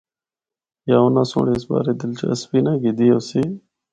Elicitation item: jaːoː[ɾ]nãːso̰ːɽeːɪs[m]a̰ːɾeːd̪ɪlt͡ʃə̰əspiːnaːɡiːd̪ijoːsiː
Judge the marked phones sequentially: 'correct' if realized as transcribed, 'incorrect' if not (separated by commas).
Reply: incorrect, incorrect